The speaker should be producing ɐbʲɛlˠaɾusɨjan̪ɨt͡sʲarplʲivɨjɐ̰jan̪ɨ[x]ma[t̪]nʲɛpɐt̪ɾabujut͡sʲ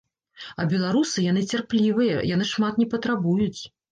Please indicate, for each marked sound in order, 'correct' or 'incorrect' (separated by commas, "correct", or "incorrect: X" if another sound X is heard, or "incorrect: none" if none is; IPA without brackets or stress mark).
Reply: incorrect: ʂ, correct